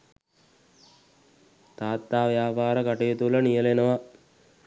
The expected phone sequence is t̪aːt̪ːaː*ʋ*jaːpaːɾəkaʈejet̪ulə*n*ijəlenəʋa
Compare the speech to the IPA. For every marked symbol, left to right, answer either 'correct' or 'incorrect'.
correct, correct

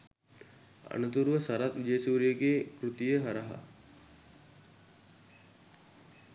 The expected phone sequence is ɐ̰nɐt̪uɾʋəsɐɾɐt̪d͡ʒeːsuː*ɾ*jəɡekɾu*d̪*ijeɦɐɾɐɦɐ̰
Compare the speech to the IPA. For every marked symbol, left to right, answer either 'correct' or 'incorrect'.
correct, incorrect: t̪

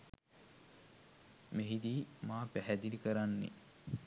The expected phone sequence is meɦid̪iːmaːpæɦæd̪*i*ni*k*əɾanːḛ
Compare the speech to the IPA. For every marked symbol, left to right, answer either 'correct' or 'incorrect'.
correct, correct

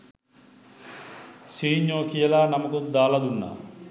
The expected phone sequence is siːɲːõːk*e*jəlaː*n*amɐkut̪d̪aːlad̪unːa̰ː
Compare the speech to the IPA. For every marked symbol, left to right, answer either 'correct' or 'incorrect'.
incorrect: i, correct

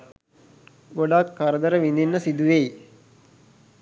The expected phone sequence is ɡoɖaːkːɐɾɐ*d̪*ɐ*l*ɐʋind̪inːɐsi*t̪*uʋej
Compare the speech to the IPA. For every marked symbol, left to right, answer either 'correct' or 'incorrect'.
correct, incorrect: ɾ, incorrect: d̪

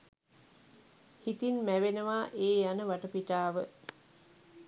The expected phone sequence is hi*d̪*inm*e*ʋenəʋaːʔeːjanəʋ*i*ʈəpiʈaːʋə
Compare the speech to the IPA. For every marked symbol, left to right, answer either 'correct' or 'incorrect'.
incorrect: t̪, incorrect: æ, incorrect: a

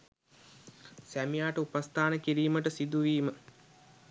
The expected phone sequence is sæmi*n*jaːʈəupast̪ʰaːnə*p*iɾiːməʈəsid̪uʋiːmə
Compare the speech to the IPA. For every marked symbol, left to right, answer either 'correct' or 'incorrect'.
incorrect: none, incorrect: k

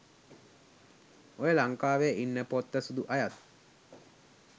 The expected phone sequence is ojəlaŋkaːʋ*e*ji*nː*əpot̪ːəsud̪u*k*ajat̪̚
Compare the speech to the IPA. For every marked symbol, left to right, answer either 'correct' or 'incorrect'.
correct, correct, incorrect: ʔ

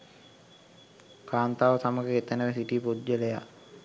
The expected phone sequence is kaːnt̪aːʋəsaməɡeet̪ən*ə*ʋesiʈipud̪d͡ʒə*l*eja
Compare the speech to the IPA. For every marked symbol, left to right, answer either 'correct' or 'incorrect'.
correct, correct

